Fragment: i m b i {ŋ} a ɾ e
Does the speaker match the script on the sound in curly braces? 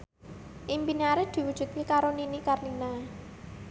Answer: no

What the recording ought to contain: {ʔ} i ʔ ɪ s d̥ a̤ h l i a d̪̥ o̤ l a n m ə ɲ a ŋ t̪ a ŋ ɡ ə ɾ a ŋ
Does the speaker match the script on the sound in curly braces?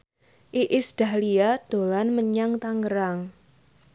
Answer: yes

